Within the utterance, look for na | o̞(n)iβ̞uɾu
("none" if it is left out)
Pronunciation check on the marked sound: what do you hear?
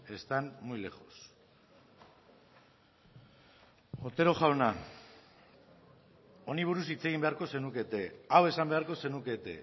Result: n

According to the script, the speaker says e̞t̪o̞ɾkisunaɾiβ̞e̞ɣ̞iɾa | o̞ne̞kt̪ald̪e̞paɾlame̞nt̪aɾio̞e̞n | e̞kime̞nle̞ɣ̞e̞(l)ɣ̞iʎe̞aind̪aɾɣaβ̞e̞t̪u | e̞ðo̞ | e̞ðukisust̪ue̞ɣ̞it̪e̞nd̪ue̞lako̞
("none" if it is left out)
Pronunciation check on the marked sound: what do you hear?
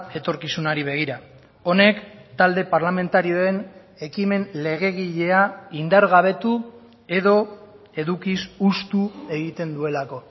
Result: none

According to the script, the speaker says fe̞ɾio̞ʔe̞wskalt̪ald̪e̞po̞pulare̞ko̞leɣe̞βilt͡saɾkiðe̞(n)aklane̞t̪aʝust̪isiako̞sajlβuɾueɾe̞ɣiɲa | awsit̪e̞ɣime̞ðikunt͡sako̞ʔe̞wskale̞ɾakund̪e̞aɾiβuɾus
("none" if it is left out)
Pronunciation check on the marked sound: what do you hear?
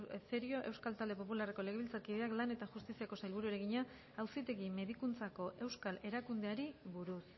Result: none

